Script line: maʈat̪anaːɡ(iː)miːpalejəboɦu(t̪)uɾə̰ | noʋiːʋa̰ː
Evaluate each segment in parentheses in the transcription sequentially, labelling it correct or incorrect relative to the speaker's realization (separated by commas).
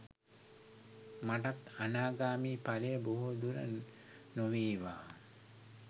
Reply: incorrect, incorrect